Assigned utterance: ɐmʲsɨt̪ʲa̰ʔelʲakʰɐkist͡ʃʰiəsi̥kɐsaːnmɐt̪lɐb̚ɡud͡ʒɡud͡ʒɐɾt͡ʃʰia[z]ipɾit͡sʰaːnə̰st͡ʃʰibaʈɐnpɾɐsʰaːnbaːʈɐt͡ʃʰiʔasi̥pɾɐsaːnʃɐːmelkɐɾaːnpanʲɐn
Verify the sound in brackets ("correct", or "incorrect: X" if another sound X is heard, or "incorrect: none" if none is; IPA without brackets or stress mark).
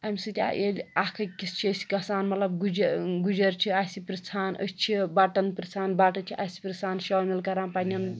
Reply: incorrect: s